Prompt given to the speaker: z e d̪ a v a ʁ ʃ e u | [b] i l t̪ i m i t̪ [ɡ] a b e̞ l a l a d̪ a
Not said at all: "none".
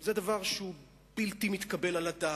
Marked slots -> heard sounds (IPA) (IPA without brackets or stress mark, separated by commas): b, k